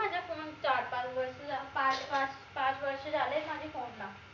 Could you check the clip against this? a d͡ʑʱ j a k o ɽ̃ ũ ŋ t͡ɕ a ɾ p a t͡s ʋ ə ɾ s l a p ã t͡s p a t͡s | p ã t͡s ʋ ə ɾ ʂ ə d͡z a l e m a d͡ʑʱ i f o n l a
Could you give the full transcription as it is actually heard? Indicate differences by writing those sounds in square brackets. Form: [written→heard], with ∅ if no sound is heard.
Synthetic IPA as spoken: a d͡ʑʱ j a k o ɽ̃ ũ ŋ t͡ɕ a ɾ p a t͡s ʋ ə ɾ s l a p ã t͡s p a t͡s | p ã t͡s ʋ ə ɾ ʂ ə d͡z a l e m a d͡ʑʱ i f o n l a